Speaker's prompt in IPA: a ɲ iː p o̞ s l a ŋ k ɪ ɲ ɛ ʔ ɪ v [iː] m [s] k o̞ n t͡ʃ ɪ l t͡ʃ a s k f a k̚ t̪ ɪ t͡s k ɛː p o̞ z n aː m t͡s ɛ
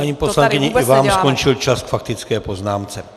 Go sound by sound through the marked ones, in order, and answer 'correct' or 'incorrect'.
incorrect: aː, correct

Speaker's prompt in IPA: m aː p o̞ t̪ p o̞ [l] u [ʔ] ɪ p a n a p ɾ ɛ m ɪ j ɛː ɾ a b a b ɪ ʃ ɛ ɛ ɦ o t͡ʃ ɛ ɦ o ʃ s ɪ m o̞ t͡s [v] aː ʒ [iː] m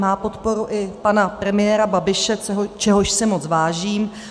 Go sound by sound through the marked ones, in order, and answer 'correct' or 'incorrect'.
incorrect: ɾ, correct, correct, correct

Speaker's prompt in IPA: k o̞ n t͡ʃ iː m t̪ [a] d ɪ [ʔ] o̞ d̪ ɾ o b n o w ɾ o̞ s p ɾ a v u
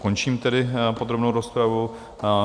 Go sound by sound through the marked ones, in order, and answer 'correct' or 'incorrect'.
incorrect: ɛ, incorrect: p

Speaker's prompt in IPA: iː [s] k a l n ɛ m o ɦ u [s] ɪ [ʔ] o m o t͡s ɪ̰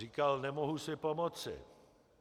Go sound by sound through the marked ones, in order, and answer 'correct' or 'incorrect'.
incorrect: none, correct, incorrect: p

